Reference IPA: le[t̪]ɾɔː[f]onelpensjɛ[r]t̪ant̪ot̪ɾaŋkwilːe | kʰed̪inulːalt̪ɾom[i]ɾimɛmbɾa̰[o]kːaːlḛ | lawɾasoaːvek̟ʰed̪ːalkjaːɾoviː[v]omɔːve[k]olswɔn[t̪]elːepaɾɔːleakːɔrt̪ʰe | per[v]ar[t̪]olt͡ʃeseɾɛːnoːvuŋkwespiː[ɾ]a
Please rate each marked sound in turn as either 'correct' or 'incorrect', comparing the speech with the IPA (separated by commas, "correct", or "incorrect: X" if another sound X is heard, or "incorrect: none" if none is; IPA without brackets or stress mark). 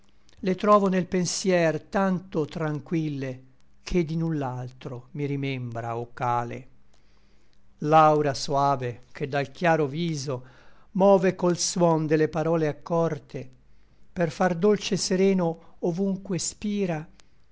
correct, incorrect: v, correct, correct, correct, incorrect: z, correct, incorrect: d̪, incorrect: f, incorrect: d̪, correct